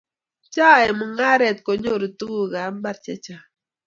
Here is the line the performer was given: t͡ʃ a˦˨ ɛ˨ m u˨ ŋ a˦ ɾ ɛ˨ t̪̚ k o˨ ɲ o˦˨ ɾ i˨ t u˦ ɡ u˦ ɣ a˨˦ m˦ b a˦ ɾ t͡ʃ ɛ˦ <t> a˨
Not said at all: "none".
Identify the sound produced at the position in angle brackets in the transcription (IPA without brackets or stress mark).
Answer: t͡ʃ